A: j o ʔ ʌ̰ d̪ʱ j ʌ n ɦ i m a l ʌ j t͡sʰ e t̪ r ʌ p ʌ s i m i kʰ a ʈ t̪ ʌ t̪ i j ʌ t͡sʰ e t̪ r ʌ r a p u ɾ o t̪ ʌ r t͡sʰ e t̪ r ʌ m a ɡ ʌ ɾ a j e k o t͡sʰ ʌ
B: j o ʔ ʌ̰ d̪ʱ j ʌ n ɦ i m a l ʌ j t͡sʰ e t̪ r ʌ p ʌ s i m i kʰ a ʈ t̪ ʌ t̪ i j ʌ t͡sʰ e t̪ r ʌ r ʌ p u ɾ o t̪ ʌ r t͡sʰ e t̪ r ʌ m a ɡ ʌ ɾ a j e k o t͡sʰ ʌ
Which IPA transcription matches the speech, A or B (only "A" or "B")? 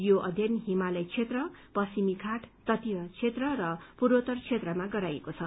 B